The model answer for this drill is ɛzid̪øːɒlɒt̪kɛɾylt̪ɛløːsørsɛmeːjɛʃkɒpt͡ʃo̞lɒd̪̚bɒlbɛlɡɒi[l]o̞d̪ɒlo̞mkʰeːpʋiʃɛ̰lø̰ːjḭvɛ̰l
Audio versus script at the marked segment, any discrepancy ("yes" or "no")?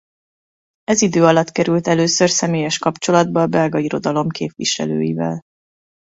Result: yes